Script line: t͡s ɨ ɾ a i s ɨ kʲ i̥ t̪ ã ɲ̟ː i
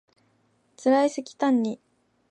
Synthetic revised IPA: t͡s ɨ ɾ a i s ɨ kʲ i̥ t̪ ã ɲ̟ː i